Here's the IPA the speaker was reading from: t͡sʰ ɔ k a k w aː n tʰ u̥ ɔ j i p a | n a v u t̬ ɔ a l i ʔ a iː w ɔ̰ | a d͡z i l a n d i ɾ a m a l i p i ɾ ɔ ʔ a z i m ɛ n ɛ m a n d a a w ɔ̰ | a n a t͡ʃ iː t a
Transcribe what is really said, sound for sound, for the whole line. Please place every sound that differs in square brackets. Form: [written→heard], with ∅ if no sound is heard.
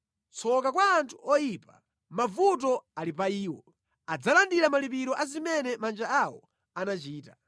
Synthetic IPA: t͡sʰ ɔ k a k w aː n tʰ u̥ ɔ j i p a | [n→m] a v u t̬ ɔ a l i [ʔ→p] a iː w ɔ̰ | a d͡z [i→a] l a n d i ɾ a m a l i p i ɾ ɔ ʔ a z i m ɛ n ɛ m a n [d→d͡ʒ] a a w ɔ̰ | a n a t͡ʃ iː t a